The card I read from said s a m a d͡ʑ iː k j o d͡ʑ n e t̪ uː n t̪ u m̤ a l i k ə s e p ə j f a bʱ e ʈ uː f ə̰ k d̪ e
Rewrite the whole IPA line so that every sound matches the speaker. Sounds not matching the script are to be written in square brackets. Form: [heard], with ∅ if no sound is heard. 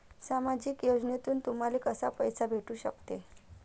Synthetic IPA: s a m a d͡ʑ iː k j o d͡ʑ n e t̪ uː n t̪ u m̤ a l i k ə s [a] p ə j [s] a bʱ e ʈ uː [ɕ] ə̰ k [t̪] e